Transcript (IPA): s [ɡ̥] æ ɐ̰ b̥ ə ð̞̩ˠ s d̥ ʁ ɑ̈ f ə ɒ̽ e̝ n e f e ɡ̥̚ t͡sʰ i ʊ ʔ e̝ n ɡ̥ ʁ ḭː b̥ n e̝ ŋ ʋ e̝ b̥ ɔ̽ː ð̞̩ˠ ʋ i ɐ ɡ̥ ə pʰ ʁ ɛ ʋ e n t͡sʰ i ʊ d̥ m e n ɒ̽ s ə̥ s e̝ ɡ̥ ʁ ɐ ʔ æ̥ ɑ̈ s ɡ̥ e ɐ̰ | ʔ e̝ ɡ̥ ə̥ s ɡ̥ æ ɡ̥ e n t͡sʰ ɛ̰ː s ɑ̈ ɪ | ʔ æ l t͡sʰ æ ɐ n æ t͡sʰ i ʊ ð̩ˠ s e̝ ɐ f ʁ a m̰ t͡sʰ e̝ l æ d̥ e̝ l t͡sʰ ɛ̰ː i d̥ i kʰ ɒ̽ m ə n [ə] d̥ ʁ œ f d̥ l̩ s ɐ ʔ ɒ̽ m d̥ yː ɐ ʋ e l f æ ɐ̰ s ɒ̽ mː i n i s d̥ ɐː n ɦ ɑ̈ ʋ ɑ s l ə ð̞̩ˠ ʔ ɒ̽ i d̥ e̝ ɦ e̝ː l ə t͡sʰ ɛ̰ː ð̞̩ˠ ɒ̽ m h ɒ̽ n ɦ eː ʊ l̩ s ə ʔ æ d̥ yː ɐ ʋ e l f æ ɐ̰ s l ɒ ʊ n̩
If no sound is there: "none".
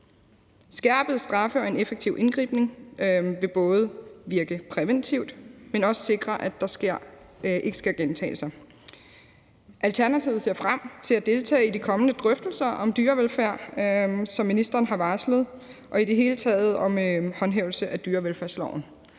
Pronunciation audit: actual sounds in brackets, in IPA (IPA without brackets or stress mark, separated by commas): ɡ̥, ə